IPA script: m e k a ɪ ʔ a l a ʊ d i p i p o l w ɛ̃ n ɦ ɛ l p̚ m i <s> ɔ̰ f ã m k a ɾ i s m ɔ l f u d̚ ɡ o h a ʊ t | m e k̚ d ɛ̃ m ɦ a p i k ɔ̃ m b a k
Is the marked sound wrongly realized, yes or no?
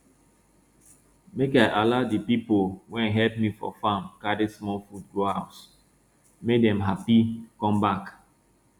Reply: yes